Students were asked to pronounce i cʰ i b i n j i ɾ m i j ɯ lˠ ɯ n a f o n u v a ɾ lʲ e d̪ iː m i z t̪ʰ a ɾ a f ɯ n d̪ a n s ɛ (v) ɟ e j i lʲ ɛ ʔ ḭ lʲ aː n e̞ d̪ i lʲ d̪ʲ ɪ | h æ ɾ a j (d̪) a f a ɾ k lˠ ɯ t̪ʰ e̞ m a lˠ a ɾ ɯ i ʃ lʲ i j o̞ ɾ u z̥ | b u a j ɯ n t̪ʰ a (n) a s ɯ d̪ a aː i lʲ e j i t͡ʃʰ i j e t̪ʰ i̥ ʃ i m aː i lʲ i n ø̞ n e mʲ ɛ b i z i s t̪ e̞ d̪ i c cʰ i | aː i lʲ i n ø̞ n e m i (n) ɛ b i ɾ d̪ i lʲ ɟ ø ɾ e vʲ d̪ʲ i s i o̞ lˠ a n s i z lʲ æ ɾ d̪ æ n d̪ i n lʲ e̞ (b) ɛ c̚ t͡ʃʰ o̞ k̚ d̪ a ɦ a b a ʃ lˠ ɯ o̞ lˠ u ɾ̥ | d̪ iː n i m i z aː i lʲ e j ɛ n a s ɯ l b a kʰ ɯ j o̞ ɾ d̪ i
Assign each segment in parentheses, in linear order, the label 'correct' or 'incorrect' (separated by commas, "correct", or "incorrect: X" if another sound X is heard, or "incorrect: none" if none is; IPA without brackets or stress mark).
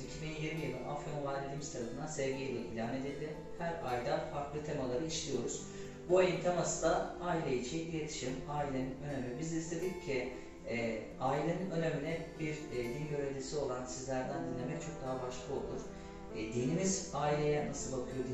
correct, correct, incorrect: m, correct, incorrect: m